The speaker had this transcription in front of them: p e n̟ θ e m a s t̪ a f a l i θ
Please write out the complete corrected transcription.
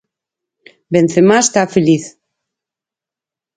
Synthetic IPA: b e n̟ θ e m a s t̪ a f e l i θ